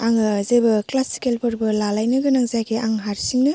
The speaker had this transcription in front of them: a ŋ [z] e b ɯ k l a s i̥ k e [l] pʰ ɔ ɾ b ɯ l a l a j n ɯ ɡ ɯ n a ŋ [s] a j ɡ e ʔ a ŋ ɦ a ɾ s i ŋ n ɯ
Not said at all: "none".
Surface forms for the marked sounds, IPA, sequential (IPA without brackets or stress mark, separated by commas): z, l, z